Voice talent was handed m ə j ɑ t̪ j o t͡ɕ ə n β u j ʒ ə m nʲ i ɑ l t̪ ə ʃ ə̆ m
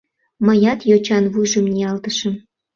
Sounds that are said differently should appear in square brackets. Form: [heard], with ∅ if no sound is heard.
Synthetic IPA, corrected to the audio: m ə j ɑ t̪ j o t͡ɕ [ɑ] n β u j ʒ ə m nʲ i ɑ l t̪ ə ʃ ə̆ m